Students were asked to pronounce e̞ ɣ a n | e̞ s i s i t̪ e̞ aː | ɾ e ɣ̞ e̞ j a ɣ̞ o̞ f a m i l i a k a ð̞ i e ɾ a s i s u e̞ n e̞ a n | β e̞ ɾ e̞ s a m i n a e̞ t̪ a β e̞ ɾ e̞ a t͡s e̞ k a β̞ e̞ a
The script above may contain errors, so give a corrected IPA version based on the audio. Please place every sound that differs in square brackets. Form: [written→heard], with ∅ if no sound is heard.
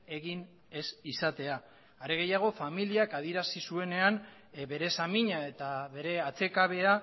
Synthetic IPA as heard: e̞ ɣ [a→i] n | e̞ s i s [i→a] t̪ e̞ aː | ɾ e ɣ̞ e̞ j a ɣ̞ o̞ f a m i l i a k a ð̞ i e ɾ a s i s u e̞ n e̞ a n | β e̞ ɾ e̞ s a m i [n→ɲ] a e̞ t̪ a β e̞ ɾ e̞ a t͡s e̞ k a β̞ e̞ a